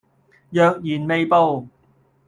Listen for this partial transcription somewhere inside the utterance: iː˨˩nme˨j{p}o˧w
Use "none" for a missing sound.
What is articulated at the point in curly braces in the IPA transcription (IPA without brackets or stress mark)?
p